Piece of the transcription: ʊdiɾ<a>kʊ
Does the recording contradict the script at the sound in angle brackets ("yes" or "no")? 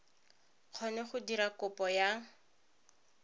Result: no